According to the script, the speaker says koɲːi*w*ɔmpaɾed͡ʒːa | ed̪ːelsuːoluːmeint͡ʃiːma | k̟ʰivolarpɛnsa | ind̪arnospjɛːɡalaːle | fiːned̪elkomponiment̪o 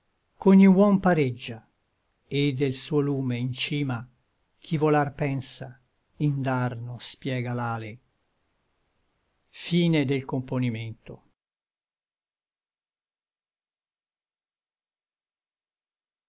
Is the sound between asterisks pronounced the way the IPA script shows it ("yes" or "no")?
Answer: yes